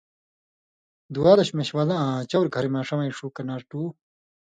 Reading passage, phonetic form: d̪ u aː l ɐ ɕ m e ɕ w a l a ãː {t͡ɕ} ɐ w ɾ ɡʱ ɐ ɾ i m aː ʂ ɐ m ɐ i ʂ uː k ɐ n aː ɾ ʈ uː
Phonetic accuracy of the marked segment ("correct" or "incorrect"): correct